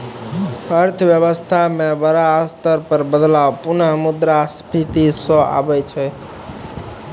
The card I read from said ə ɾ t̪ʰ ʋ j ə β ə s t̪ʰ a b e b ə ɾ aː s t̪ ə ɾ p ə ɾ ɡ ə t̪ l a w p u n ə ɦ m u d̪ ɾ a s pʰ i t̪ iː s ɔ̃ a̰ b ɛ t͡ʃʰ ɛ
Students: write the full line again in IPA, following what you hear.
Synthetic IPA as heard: ə ɾ t̪ʰ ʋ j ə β ə s t̪ʰ a m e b ə ɾ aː s t̪ ə ɾ p ə ɾ b ə d̪ l a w p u n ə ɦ m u d̪ ɾ a s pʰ i t̪ i s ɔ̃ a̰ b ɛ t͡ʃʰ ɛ

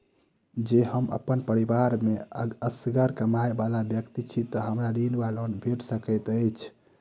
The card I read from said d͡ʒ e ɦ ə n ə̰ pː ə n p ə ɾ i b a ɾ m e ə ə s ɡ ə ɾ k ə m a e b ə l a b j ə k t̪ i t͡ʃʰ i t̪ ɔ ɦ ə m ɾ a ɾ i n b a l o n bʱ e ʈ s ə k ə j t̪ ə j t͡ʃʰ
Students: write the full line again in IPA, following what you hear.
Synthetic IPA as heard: d͡ʒ e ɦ ə m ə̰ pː ə n p ə ɾ i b a ɾ m e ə ə s ɡ ə ɾ k ə m a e b a l a b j ə k t̪ i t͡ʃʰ i t̪ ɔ ɦ ə m ɾ a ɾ i n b a l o n bʱ e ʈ s ə k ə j t̪ ə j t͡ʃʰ

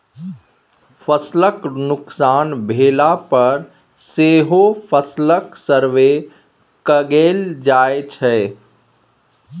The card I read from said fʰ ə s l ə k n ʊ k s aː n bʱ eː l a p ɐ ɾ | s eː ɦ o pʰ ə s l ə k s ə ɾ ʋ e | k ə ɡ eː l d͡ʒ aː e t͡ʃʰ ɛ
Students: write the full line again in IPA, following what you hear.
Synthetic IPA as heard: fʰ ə s l ə k n ʊ k s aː n bʱ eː l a p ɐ ɾ | s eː ɦ o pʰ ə s l ə k s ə ɾ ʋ e | k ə ɡ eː l d͡ʒ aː e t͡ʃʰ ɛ

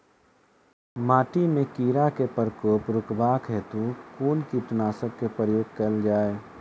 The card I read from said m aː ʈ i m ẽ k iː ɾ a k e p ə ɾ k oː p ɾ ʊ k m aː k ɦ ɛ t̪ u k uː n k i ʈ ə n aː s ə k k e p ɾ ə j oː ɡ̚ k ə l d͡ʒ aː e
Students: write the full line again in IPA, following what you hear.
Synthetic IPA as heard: m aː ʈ i m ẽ k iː ɾ a k e p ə ɾ k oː p ɾ ʊ k b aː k ɦ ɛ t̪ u k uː n k i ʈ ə n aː s ə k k e p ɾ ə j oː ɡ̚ k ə l d͡ʒ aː e

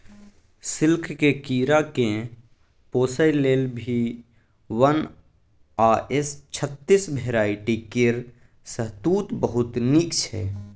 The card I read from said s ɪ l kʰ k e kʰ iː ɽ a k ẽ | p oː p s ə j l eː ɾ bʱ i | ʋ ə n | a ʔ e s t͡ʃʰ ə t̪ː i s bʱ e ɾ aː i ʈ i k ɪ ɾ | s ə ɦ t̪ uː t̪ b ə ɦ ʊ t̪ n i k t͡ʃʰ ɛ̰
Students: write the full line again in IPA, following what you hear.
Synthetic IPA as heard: s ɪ l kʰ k e k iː ɾ a k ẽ | p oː s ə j l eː l bʱ i | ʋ ə n | a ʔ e s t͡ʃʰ ə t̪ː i s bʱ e ɾ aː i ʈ i k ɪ ɾ | s ə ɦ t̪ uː t̪ b ə ɦ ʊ t̪ n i k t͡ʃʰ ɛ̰

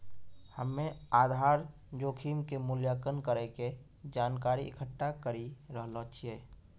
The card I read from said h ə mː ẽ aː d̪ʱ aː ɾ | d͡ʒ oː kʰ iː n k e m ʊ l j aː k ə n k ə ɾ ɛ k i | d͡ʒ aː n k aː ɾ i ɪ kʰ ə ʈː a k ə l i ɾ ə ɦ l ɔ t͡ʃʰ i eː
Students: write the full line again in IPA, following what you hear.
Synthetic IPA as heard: h ə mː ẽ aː d̪ʱ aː ɾ | d͡ʒ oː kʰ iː m k e m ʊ l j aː k ə n k ə ɾ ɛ k e | d͡ʒ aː n k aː ɾ i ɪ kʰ ə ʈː a k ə ɾ i ɾ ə ɦ l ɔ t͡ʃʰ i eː

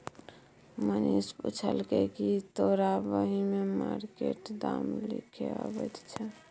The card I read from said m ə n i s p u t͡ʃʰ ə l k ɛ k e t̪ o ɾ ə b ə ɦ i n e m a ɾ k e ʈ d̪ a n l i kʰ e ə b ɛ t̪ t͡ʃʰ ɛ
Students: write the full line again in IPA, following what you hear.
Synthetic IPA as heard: m ə n i s p u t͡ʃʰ ə l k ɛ k i t̪ o ɾ a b ə ɦ i m e m a ɾ k e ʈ d̪ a m l i kʰ e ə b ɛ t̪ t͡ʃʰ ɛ

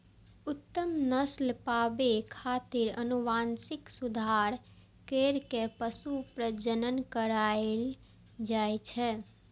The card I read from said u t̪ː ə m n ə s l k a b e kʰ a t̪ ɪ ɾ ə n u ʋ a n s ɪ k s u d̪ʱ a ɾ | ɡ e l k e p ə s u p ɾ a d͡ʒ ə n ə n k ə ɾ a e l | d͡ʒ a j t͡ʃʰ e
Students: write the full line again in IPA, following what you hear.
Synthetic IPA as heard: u t̪ː ə m n ə s l p a b e kʰ a t̪ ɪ ɾ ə n u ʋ a n s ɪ k s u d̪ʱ a ɾ | k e ɾ k e p ə s u p ɾ ə d͡ʒ ə n ə n k ə ɾ a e l | d͡ʒ a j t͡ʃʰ ɛ

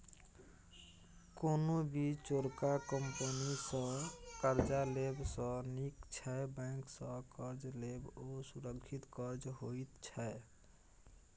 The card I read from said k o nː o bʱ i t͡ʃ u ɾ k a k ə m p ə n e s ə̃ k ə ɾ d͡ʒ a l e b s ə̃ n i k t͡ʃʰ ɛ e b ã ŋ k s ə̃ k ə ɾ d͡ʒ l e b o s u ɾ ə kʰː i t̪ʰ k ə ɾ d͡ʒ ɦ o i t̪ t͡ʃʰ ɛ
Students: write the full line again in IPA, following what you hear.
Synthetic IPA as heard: k o n o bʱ i t͡ʃ o ɾ k a k ə m p ə n i s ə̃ k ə ɾ d͡ʒ a l e b s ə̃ n i k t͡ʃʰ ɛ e b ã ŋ k s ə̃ k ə ɾ d͡ʒ l e b o s u ɾ ə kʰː i t̪ k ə ɾ d͡ʒ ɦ o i t̪ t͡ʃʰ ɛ

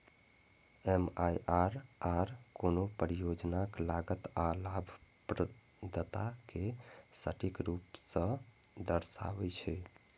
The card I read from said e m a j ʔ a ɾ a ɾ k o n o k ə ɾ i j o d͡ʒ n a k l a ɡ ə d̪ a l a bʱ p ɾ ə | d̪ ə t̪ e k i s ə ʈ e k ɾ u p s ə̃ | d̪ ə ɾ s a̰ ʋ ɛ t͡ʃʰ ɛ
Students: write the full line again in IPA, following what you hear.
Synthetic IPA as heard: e m a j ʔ a ɾ a ɾ k o n o p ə ɾ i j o d͡ʒ n a k l a ɡ ə t̪ a l a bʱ p ɾ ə | d̪ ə t̪ a k e s ə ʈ i k ɾ u p s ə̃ | d̪ ə ɾ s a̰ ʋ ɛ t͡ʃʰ ɛ

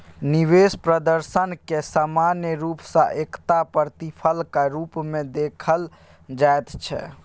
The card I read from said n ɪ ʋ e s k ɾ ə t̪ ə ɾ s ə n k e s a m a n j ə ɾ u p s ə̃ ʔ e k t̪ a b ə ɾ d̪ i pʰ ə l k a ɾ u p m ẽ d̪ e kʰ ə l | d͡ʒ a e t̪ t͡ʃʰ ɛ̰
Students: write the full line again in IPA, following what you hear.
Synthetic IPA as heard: n i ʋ e s p ɾ ə d̪ ə ɾ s ə n k e s a m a n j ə ɾ u p s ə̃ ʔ e k t̪ a p ə ɾ t̪ i pʰ ə l k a ɾ u p m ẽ d̪ e kʰ ə l | d͡ʒ a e t̪ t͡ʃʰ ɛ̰

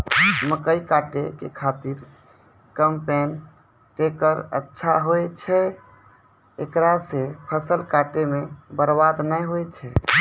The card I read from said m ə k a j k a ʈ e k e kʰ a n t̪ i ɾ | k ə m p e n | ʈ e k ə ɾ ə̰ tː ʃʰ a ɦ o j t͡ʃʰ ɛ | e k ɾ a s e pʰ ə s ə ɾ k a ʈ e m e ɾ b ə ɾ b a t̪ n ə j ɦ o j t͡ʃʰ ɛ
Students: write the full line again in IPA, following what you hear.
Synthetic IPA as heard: m ə k ə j k a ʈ e k e kʰ a t̪ i ɾ | k ə m p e n | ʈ e k ə ɾ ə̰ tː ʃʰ a ɦ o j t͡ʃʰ ɛ | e k ɾ a s e pʰ ə s ə l k a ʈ e m e b ə ɾ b a d̪ n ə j ɦ o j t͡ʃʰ ɛ

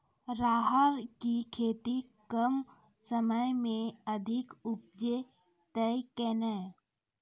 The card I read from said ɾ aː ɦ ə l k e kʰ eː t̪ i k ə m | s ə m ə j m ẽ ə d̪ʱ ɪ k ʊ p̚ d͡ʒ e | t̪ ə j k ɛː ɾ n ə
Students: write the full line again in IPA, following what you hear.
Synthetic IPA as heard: ɾ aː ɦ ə ɾ k i kʰ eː t̪ i k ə m | s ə m ə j m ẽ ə d̪ʱ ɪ k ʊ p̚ d͡ʒ e | t̪ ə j k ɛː n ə

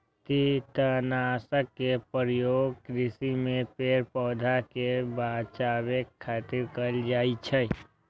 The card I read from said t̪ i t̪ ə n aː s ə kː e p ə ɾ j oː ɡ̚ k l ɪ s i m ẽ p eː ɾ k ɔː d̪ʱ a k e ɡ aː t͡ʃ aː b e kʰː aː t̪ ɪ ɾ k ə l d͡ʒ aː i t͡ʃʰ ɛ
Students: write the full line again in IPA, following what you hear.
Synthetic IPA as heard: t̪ i t̪ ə n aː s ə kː e p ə ɾ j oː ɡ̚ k ɾ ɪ s i m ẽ p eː ɾ p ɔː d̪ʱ a k e b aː t͡ʃ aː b e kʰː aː t̪ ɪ ɾ k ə l d͡ʒ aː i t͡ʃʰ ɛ

